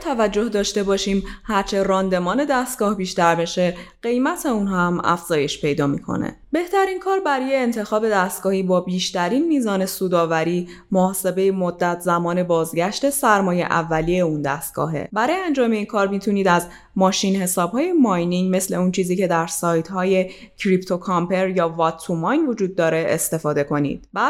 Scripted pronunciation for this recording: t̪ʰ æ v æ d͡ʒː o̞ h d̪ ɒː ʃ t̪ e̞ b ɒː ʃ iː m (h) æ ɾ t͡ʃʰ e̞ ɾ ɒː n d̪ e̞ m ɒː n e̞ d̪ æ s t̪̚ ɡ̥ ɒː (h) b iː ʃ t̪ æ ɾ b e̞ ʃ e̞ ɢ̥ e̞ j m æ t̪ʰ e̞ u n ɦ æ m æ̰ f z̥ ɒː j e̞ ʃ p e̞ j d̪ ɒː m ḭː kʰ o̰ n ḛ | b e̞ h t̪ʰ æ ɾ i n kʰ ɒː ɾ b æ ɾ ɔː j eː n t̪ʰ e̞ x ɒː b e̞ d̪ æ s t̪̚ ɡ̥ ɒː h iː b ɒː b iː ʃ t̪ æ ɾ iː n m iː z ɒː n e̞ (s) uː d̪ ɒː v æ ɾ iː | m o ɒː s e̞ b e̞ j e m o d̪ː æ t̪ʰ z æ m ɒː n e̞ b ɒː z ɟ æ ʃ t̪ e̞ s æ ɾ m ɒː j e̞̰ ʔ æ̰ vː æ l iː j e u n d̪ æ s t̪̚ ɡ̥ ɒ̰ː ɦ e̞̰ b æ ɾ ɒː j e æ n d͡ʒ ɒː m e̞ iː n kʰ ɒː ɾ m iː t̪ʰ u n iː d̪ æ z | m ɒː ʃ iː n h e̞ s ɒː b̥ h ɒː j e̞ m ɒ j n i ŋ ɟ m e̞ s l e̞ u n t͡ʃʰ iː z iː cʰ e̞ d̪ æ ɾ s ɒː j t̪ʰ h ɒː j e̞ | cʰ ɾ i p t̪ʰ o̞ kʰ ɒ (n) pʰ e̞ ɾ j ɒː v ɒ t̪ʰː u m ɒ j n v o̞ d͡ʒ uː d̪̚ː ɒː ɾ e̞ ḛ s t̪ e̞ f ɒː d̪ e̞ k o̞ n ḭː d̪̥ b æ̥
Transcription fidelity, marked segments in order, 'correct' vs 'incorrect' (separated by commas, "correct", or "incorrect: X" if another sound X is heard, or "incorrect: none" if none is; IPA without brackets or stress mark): correct, correct, correct, incorrect: m